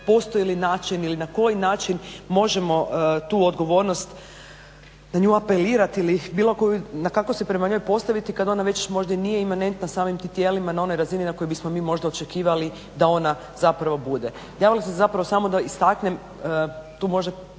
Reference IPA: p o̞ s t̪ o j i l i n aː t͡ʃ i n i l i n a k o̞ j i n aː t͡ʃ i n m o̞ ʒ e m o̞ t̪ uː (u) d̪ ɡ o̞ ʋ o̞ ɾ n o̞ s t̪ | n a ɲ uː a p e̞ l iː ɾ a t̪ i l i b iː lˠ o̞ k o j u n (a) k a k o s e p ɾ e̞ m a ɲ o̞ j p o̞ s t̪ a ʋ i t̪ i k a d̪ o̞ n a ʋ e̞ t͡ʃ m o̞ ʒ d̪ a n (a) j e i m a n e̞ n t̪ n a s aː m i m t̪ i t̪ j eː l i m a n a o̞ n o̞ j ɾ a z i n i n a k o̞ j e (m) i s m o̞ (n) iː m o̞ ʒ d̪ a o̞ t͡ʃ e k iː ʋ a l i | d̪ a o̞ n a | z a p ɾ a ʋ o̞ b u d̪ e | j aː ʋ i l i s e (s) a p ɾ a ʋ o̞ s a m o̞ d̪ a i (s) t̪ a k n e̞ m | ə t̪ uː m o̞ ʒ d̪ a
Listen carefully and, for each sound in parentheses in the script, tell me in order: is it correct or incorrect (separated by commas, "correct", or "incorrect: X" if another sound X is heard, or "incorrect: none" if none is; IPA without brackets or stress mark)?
incorrect: o, correct, incorrect: i, incorrect: b, incorrect: m, incorrect: z, correct